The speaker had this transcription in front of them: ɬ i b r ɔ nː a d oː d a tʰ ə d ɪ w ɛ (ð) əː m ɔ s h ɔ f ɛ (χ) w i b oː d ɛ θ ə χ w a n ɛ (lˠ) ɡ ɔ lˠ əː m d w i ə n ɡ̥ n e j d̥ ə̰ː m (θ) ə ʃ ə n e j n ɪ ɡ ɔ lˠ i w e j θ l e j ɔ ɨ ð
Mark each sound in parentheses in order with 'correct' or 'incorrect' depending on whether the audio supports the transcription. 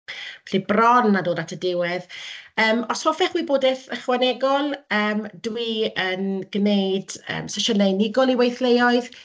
correct, correct, incorrect: none, incorrect: s

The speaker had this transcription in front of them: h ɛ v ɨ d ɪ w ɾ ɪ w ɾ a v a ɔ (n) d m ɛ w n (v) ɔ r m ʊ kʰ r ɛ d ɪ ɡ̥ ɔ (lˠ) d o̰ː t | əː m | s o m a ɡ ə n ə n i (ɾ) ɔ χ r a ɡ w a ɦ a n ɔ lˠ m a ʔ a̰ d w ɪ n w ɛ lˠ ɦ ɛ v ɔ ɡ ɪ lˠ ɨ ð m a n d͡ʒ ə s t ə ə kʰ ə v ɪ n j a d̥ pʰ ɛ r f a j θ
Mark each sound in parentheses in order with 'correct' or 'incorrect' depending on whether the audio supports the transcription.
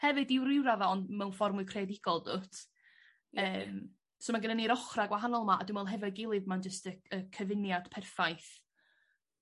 correct, incorrect: f, correct, correct

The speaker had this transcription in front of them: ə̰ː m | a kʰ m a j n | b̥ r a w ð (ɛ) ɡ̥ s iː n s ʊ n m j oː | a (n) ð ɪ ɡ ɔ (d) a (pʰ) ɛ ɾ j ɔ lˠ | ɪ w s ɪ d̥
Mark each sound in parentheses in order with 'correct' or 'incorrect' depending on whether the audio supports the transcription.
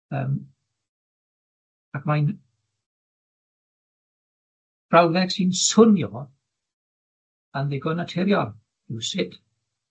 correct, correct, incorrect: n, incorrect: tʰ

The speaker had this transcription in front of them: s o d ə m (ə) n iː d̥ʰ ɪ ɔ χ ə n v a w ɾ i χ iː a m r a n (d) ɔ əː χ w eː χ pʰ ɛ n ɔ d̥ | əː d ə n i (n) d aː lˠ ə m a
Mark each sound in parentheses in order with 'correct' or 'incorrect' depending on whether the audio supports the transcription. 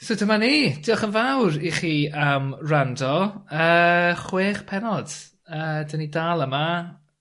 incorrect: a, correct, incorrect: none

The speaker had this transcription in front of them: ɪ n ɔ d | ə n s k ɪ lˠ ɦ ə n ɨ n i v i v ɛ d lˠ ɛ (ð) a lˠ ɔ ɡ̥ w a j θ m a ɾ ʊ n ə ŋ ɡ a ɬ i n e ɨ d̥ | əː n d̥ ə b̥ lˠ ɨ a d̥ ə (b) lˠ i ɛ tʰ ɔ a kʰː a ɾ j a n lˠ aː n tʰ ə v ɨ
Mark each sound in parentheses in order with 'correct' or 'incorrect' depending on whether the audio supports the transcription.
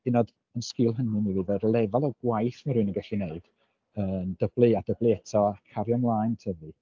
incorrect: v, correct

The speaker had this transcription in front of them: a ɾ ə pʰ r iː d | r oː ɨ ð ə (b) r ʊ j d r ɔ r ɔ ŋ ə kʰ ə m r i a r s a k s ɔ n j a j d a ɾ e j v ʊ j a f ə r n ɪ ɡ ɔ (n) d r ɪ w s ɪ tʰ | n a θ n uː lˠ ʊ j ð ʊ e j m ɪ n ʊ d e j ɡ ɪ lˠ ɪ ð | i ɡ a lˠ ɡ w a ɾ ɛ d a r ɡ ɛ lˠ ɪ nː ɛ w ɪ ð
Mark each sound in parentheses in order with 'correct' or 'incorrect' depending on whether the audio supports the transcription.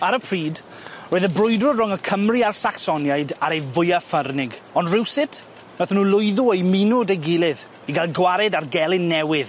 correct, correct

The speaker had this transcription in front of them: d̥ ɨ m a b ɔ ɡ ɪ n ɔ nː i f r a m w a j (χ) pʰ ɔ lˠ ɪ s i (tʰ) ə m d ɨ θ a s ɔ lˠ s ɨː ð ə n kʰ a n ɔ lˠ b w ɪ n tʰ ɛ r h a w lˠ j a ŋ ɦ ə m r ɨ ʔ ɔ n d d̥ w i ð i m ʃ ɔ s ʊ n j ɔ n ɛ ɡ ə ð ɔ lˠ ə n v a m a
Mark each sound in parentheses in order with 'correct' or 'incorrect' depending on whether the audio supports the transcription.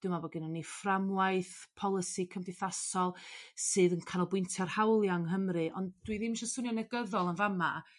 incorrect: θ, incorrect: kʰ

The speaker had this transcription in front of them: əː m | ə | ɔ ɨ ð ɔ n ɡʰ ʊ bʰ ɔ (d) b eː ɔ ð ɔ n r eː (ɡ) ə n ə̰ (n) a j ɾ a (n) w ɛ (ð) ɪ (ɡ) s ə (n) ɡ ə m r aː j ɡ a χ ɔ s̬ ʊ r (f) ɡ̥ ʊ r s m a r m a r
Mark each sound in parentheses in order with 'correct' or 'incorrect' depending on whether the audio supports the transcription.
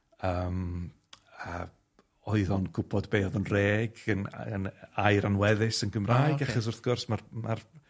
correct, correct, correct, correct, correct, incorrect: none, correct, incorrect: θ

